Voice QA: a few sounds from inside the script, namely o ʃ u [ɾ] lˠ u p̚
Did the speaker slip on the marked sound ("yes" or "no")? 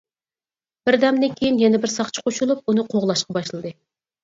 yes